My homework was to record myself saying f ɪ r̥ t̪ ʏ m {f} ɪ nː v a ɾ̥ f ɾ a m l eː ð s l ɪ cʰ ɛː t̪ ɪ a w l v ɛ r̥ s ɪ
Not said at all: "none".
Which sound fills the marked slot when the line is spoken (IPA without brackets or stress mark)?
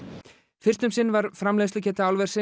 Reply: s